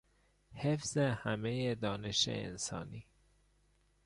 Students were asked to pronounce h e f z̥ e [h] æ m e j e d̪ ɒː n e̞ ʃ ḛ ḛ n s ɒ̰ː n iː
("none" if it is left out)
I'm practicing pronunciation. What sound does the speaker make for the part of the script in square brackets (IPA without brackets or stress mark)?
h